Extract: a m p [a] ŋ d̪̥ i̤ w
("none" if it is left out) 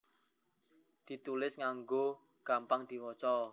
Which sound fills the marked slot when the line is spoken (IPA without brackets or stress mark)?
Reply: a